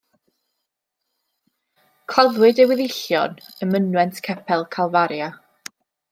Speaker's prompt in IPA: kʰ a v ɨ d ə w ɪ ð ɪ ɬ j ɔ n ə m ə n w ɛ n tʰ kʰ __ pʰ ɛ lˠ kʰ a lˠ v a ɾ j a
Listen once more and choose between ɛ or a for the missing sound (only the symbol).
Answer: ɛ